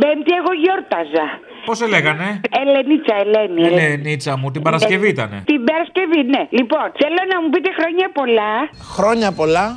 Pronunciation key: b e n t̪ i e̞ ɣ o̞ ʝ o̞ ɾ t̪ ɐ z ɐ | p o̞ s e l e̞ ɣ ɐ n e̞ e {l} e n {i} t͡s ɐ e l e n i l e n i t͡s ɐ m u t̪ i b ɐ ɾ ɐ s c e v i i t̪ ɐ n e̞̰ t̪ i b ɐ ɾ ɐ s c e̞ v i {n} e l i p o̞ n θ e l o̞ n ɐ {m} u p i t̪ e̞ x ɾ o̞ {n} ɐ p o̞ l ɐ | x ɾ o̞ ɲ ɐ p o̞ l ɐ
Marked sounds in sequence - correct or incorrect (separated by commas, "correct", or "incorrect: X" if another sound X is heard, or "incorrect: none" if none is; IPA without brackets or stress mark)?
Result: correct, correct, correct, correct, incorrect: ɲ